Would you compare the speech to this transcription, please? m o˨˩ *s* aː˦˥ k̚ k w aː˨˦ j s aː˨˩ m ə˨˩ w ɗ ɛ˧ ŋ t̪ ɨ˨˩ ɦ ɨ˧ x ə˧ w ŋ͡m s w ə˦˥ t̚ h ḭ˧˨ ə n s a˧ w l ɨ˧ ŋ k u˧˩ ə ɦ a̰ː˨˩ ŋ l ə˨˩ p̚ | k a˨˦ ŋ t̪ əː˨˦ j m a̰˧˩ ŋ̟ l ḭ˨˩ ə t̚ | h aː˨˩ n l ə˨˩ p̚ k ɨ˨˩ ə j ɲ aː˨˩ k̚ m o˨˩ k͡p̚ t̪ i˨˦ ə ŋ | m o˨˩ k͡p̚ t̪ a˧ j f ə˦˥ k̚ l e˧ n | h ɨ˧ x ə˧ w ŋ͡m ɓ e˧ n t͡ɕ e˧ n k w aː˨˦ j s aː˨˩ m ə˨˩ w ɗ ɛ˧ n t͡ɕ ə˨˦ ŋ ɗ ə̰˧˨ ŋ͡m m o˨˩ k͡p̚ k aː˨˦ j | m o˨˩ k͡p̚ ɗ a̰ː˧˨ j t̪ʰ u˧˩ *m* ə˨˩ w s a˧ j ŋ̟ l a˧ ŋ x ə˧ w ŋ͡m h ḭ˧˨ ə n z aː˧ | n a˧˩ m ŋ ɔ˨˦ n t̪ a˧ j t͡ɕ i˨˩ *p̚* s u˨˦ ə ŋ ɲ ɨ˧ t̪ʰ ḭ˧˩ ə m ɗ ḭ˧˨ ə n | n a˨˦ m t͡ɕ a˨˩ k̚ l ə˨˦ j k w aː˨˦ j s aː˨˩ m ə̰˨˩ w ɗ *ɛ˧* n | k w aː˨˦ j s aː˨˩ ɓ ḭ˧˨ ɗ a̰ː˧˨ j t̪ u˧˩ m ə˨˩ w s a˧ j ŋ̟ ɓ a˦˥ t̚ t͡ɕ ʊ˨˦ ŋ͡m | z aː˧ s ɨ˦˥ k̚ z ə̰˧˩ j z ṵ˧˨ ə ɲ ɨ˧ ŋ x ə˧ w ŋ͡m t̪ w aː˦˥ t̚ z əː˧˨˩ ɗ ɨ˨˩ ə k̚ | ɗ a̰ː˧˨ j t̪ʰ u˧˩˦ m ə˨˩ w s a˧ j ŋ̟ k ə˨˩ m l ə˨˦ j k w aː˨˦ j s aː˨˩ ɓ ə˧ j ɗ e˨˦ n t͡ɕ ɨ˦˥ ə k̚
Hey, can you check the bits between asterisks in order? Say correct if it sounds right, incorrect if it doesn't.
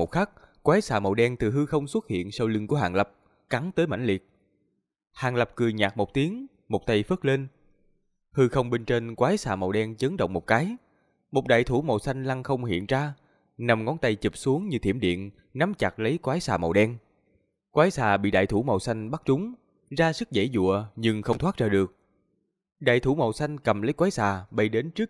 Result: incorrect: x, correct, correct, correct

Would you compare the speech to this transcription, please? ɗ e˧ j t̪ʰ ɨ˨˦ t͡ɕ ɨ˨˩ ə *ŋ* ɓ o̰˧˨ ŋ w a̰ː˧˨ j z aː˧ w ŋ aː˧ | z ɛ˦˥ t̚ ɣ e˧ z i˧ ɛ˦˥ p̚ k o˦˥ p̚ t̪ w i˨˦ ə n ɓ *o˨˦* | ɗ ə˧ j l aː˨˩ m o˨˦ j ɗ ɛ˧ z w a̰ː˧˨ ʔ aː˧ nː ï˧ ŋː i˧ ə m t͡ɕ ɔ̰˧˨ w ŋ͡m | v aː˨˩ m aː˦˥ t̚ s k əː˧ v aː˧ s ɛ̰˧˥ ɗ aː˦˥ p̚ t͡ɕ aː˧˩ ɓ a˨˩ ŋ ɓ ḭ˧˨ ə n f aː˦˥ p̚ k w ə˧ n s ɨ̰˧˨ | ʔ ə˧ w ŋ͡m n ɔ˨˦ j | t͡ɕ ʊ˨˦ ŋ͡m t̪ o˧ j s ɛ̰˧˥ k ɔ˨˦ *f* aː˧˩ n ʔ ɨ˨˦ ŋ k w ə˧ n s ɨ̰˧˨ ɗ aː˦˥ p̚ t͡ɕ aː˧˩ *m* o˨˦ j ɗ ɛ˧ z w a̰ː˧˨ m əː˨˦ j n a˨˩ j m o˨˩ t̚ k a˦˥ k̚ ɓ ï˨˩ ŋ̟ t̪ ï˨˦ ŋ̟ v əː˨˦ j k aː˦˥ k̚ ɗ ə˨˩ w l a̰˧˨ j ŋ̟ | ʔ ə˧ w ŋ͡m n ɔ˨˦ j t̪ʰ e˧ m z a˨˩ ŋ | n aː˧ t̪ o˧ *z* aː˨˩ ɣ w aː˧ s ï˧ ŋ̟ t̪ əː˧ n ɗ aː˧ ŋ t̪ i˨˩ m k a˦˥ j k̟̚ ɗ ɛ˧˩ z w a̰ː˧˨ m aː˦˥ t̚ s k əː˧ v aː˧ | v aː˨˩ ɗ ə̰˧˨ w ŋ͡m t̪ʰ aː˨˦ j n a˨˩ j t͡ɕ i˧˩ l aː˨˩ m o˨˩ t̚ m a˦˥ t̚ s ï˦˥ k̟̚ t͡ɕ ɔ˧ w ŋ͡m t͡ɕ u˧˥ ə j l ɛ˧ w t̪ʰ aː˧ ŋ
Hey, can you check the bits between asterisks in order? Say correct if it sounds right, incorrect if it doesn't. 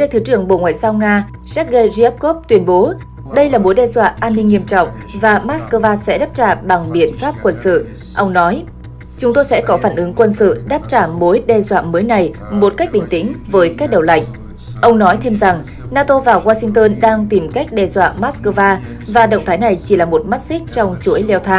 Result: correct, correct, correct, correct, incorrect: v

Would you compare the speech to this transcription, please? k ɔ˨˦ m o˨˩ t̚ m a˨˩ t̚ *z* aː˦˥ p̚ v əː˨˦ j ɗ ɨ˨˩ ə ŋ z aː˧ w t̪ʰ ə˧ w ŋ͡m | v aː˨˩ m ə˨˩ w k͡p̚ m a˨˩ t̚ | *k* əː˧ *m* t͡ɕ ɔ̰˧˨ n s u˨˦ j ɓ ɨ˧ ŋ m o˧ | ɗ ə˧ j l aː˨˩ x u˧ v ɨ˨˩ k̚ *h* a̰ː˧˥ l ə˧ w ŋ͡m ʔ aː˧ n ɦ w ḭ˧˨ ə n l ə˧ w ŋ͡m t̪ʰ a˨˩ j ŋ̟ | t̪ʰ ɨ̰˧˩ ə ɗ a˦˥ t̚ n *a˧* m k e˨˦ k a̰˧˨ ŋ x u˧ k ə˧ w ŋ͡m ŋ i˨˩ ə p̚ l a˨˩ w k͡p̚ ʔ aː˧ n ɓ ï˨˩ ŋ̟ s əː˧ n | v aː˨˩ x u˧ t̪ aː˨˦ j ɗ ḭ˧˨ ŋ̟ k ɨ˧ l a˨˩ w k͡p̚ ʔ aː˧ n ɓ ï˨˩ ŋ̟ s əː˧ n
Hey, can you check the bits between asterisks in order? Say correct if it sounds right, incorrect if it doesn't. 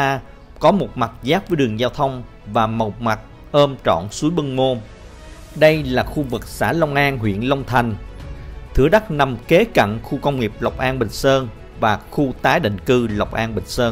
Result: correct, incorrect: ʔ, correct, incorrect: s, incorrect: a˨˩

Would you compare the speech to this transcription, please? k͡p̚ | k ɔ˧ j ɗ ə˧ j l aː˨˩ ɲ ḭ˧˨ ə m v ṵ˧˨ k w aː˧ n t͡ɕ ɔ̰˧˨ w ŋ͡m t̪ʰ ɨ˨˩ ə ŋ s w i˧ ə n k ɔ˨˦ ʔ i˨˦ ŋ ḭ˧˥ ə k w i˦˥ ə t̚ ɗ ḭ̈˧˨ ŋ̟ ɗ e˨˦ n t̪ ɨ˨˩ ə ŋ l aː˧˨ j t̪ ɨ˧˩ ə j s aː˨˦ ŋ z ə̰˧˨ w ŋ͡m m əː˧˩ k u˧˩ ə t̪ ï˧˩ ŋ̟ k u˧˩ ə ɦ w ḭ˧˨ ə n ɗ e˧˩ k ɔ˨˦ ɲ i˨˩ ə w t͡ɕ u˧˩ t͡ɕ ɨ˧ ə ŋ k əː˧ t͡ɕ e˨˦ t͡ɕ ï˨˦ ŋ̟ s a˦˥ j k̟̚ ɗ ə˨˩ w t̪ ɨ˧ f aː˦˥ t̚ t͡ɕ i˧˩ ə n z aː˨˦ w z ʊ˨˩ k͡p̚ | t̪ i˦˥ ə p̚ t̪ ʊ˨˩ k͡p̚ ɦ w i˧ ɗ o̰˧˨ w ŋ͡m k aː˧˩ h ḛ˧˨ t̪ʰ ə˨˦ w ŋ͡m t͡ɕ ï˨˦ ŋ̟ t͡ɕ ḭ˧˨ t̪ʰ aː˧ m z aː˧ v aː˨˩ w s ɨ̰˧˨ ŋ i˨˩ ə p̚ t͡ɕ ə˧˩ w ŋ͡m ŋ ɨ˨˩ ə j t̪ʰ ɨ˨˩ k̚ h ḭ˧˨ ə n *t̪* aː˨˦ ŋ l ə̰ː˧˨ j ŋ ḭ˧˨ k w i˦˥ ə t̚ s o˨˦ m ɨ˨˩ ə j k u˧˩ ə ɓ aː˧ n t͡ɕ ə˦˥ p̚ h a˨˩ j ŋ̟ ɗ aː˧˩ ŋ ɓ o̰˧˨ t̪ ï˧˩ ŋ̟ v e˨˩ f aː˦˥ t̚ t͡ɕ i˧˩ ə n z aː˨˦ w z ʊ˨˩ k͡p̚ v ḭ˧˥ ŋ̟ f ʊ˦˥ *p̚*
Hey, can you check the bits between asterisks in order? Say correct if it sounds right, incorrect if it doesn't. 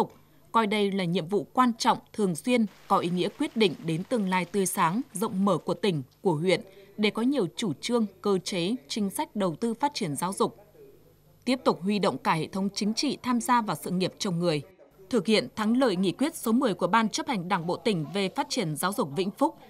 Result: incorrect: t̪ʰ, incorrect: k͡p̚

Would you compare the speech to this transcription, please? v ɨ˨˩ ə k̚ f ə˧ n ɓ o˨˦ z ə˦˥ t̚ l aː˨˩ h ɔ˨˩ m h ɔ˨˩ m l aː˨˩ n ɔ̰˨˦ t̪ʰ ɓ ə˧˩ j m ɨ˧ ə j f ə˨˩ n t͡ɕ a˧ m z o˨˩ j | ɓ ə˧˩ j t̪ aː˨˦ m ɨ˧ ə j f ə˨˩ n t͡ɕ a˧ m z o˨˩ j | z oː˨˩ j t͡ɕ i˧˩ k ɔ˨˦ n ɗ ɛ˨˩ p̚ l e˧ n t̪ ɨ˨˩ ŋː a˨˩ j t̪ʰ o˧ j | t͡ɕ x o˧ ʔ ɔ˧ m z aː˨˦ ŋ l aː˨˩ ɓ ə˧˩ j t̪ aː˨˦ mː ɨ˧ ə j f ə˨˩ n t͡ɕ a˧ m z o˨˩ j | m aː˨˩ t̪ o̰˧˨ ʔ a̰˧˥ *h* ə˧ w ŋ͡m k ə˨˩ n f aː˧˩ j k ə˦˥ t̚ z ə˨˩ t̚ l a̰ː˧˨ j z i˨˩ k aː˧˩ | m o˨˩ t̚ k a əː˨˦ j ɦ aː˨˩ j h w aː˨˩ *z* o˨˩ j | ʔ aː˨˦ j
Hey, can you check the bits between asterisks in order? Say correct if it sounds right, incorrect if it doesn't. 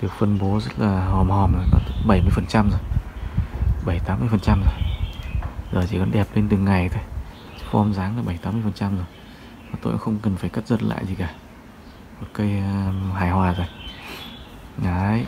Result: incorrect: x, correct

